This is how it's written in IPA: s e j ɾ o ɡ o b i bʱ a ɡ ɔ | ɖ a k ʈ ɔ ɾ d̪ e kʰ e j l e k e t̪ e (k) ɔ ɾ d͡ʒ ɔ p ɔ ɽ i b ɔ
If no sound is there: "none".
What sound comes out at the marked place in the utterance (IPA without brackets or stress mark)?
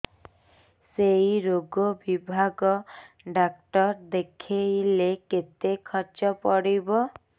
kʰ